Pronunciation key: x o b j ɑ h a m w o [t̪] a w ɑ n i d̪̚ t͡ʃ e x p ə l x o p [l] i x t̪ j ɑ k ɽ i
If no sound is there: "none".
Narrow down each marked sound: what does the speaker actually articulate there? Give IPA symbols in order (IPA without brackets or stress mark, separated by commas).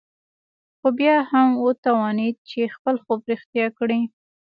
t̪, ɾ